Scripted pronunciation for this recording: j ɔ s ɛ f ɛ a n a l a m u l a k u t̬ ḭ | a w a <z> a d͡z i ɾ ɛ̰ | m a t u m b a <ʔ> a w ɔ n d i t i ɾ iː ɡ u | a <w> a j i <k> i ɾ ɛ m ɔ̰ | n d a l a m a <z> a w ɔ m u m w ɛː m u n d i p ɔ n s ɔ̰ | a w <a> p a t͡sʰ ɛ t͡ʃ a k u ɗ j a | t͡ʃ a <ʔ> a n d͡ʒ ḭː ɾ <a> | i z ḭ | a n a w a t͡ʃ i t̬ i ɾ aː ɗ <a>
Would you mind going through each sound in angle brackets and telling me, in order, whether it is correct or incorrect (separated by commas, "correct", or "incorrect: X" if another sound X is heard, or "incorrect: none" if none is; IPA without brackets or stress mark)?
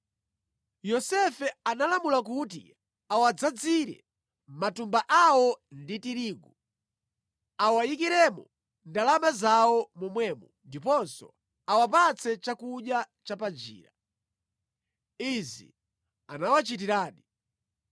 incorrect: d͡z, correct, correct, correct, correct, correct, incorrect: p, correct, incorrect: i